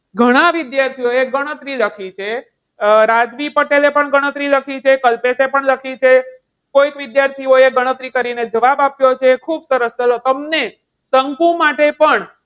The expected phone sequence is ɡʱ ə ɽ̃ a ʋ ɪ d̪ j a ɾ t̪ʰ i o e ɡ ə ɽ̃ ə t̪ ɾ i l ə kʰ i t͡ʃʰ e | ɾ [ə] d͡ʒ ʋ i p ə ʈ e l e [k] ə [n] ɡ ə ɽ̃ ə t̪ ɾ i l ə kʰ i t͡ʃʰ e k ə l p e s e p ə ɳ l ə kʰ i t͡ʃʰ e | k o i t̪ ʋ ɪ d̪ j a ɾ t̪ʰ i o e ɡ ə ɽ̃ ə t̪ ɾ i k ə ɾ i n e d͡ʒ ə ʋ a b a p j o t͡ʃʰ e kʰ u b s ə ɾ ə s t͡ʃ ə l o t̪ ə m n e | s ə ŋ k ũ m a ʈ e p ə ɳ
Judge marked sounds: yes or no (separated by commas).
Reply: no, no, no